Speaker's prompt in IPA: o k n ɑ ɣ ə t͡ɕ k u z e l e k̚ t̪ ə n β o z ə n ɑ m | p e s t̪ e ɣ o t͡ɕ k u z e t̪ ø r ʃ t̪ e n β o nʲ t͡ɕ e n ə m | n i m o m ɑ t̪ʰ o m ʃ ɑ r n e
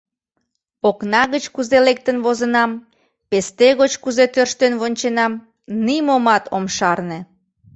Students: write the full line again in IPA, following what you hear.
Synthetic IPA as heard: o k n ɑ ɣ ə t͡ɕ k u z e l e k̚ t̪ ə n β o z ə n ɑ m | p e s t̪ e ɣ o t͡ɕ k u z e t̪ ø r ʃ t̪ e n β o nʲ t͡ɕ e n ɑ m | n i m o m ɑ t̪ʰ o m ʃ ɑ r n e